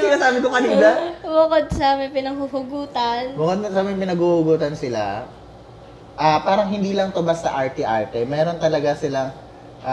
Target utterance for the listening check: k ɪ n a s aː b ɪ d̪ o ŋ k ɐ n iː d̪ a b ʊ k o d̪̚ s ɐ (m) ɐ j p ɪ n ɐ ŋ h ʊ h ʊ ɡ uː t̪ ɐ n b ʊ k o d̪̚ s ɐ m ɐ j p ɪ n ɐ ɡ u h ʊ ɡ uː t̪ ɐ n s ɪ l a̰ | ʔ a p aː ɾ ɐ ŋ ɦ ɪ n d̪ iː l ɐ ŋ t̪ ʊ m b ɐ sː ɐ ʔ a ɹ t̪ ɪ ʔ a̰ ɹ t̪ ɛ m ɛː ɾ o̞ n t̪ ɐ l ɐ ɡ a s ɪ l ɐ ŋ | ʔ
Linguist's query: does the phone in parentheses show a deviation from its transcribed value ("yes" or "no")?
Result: no